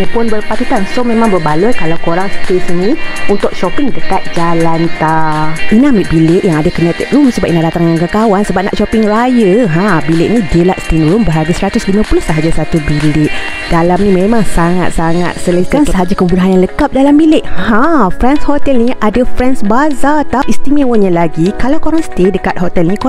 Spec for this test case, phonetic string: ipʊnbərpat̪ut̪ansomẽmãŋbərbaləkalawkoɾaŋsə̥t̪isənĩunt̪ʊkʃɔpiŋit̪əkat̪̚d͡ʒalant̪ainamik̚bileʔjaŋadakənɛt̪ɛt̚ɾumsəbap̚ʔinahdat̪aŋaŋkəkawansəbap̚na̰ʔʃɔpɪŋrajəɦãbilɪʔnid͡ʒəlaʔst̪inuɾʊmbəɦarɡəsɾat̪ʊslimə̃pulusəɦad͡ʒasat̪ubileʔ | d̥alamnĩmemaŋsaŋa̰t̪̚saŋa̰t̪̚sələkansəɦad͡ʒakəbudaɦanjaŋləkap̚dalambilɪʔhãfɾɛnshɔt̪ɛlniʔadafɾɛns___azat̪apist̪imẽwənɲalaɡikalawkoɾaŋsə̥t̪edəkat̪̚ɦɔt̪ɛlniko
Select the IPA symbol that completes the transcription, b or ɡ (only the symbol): b